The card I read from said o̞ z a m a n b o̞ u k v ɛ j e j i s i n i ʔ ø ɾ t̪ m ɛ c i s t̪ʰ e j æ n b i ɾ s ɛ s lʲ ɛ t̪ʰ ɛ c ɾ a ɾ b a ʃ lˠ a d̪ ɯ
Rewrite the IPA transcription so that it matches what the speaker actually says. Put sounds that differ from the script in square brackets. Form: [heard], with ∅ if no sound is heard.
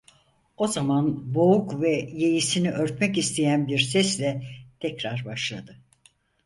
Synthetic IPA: o̞ z a m a n b o̞ u k v ɛ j e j i s i n i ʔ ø ɾ t̪ m ɛ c i s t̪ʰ e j æ n b i ɾ s ɛ s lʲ ɛ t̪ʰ ɛ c ɾ a ɾ b a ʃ lˠ a d̪ ɯ